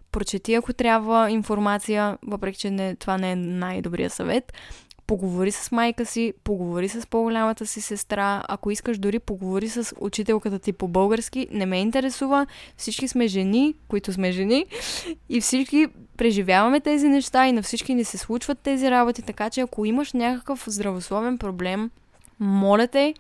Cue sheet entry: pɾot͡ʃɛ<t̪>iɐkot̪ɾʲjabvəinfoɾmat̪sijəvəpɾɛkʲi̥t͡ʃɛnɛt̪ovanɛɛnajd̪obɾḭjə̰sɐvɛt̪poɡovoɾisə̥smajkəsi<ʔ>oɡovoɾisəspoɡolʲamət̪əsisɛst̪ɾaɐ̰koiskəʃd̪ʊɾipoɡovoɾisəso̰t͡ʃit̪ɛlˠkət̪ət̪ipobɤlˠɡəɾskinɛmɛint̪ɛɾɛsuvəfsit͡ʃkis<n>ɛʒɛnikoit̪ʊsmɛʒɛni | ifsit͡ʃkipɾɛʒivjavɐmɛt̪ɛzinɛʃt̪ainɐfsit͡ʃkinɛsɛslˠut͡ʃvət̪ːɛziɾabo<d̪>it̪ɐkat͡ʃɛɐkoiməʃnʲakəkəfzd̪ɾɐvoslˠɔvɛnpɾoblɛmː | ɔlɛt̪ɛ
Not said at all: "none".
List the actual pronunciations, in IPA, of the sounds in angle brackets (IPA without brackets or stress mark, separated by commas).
t̪, p, m, t̪